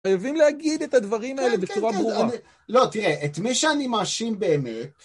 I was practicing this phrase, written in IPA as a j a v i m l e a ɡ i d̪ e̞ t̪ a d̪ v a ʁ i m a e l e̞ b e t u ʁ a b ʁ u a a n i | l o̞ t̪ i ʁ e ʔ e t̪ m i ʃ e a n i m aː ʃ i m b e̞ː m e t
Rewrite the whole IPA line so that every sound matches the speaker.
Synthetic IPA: a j a v i m l e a ɡ i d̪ e̞ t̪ a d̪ v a ʁ i m a e l e̞ b e t͡s u ʁ a b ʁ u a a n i | l o̞ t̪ i ʁ e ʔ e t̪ m i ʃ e a n i m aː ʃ i m b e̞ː m e t